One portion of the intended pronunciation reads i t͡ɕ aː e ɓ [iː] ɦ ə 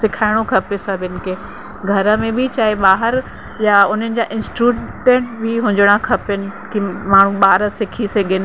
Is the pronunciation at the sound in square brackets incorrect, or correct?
incorrect